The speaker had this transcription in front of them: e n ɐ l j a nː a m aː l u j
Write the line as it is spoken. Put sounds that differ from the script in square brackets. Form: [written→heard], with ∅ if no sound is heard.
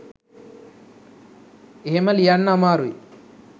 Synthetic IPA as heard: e [n→m] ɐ l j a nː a m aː [l→ɾ] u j